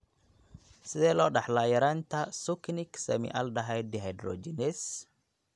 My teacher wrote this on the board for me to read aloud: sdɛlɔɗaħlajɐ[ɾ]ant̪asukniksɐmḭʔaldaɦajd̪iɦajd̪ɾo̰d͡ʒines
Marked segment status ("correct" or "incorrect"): correct